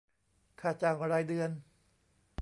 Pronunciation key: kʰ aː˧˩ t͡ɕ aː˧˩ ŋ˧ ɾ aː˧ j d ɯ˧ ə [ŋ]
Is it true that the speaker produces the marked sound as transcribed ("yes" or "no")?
no